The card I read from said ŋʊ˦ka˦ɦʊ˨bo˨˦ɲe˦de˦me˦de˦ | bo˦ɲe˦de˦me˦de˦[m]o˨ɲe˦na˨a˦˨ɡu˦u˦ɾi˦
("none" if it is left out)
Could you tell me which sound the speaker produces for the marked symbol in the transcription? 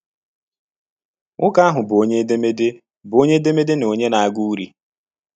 n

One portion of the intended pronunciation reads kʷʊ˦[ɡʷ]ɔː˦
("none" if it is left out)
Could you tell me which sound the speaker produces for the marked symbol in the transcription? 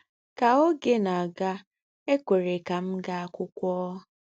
kʷ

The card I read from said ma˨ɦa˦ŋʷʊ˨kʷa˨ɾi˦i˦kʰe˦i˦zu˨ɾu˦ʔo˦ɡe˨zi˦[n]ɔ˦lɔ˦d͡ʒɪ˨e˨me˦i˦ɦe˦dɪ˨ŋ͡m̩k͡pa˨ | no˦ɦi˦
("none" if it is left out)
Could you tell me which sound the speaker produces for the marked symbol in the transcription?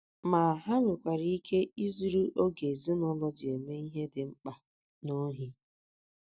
n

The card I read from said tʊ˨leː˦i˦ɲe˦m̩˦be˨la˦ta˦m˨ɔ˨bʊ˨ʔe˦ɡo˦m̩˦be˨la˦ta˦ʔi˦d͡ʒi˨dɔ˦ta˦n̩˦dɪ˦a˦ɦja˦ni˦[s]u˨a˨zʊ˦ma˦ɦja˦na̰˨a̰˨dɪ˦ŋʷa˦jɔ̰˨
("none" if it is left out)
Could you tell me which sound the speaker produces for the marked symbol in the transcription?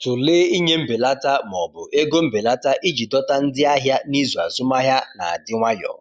z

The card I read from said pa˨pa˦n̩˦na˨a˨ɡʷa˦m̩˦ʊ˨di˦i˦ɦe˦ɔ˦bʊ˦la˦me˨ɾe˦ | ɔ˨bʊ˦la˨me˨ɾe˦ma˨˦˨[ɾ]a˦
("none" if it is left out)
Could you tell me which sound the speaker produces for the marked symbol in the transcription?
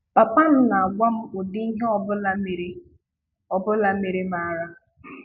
ɾ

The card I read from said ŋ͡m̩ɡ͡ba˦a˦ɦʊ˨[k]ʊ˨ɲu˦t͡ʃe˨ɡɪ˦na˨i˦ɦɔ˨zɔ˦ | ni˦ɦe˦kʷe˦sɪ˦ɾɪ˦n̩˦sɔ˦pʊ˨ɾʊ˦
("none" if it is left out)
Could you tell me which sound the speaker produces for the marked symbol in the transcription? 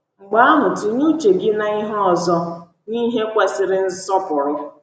t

